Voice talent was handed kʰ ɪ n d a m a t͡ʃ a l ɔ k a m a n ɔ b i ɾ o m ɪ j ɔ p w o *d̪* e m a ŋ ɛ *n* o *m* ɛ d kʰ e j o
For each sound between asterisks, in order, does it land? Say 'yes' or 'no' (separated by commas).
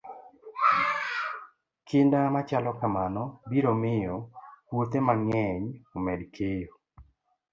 no, no, yes